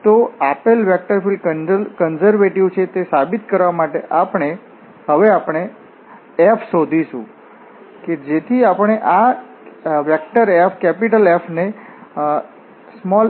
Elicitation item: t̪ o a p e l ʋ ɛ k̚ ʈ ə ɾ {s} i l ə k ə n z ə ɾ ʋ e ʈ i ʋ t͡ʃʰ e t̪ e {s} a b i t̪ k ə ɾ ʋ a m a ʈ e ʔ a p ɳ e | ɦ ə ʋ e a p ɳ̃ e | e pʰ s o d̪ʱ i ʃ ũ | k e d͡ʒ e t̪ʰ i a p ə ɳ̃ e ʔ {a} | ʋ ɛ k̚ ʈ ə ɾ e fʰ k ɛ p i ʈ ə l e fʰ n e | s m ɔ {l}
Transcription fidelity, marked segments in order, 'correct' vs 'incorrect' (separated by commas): incorrect, correct, correct, correct